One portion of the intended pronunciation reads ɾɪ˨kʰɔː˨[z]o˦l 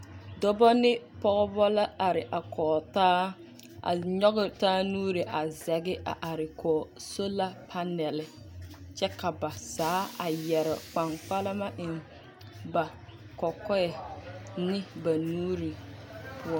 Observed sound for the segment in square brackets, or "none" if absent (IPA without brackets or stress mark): s